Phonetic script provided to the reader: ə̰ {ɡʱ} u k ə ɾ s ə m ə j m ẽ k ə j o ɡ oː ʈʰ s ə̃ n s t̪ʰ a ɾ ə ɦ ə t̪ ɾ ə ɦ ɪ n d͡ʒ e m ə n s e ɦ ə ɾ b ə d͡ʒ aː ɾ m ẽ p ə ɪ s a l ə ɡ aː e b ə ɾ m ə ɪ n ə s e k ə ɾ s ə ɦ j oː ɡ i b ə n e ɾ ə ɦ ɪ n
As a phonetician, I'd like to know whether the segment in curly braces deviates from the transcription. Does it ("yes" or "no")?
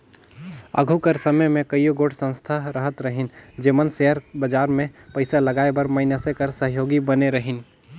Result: no